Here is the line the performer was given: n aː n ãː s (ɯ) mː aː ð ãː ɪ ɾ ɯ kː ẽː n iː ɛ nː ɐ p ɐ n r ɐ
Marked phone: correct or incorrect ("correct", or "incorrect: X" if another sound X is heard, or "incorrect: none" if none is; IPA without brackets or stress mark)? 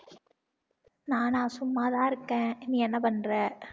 incorrect: ʊ